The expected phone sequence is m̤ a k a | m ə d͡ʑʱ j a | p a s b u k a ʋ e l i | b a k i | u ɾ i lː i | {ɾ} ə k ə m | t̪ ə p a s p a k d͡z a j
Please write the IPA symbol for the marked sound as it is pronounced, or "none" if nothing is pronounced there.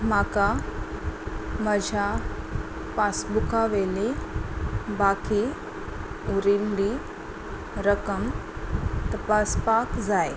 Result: ɾ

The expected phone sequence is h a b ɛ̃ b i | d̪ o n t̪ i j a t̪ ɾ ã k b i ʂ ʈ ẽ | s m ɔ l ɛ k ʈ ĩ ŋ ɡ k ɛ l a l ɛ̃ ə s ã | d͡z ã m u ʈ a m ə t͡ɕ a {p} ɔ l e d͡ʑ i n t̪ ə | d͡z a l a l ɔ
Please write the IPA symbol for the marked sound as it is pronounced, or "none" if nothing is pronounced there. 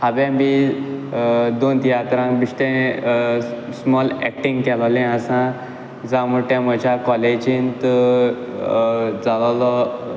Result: k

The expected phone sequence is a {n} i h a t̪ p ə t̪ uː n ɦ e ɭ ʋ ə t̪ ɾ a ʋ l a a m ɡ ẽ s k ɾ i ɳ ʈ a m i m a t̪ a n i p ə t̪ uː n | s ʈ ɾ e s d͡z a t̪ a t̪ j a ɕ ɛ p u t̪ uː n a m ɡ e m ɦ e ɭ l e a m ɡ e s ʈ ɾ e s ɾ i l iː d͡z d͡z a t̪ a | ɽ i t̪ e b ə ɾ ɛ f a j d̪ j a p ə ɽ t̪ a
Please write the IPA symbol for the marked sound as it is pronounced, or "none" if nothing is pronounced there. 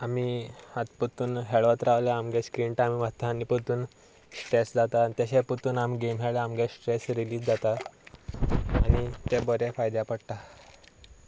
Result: m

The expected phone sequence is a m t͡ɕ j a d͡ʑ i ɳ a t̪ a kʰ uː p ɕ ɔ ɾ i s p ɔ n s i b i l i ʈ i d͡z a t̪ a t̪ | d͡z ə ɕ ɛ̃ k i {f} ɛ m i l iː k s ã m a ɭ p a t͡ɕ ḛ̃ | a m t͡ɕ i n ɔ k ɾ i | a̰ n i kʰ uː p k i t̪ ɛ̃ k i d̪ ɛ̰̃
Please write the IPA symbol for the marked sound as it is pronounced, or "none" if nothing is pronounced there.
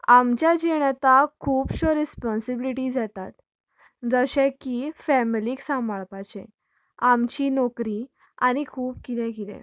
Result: f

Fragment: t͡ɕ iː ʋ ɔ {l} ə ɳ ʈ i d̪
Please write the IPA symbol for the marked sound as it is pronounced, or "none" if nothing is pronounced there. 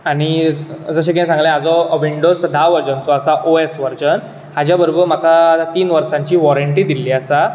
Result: ɾ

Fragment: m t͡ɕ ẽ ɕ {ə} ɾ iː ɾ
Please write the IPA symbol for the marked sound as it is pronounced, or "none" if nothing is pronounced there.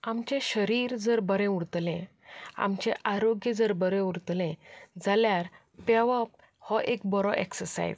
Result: ə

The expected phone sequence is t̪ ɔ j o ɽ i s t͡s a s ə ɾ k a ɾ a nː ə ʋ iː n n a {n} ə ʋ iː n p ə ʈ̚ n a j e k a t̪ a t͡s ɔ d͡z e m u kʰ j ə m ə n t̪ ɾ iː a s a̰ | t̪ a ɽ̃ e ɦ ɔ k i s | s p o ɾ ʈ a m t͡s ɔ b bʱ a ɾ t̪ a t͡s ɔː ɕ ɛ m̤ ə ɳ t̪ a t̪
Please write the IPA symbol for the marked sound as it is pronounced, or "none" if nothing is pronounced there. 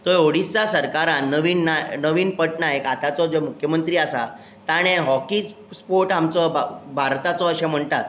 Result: n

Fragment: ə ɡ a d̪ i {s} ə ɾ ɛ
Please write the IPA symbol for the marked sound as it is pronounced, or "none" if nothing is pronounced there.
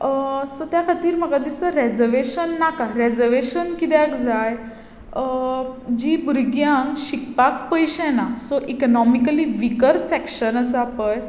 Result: s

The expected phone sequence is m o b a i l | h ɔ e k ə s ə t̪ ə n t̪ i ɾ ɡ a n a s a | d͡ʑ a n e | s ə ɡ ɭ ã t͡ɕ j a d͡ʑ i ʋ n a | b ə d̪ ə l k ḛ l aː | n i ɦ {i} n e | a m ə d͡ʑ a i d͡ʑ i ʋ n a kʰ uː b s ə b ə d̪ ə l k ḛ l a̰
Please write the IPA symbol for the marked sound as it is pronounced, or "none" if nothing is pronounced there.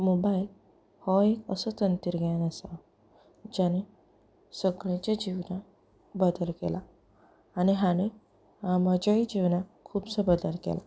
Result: a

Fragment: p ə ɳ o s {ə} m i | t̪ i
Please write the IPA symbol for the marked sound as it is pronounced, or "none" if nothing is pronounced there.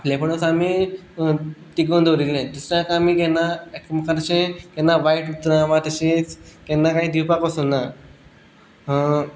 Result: a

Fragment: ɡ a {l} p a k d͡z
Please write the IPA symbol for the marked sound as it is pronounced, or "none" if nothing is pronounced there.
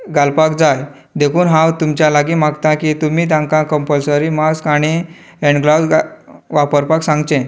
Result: l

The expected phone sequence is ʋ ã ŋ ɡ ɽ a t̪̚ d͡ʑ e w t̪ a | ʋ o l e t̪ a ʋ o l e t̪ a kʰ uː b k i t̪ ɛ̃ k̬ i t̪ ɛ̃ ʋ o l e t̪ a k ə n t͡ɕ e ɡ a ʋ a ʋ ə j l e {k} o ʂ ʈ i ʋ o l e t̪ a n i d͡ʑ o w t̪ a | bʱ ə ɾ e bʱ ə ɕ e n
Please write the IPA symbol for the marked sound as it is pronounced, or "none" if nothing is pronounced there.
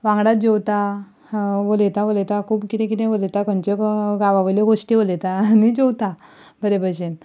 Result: ɡ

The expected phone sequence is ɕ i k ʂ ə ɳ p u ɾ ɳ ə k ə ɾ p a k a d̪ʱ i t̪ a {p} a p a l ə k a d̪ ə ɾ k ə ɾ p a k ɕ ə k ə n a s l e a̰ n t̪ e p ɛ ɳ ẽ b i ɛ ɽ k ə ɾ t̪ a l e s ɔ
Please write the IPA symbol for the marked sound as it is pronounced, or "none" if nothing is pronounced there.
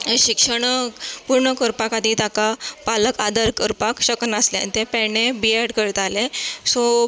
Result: k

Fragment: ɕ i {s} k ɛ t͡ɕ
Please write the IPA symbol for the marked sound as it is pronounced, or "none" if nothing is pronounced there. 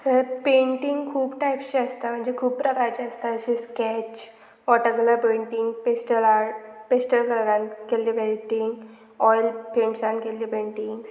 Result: s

